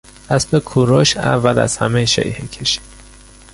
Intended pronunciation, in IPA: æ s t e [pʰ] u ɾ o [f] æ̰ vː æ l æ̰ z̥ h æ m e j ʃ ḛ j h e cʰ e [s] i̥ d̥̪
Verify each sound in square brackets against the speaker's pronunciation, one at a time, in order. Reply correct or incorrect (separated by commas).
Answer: incorrect, incorrect, incorrect